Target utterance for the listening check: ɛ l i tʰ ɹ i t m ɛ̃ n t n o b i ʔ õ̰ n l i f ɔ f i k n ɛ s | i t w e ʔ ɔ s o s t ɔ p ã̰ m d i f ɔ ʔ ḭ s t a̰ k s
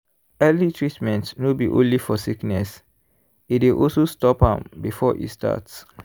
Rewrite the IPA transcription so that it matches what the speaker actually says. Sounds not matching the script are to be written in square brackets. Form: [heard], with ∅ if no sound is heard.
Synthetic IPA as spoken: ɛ l i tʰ ɹ i t m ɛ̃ n t n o b i ʔ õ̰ n l i f ɔ [s] i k n ɛ s | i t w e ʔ ɔ s o s t ɔ p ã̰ m [b] i f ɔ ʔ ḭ s t a̰ [t] s